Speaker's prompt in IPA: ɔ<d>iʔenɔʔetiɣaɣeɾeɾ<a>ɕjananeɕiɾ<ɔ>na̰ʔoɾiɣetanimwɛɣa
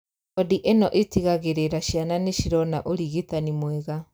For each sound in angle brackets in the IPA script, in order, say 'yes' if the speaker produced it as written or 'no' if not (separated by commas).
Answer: yes, yes, yes